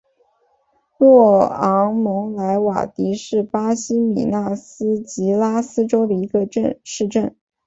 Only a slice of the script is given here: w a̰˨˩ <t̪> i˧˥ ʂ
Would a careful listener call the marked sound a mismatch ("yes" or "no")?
no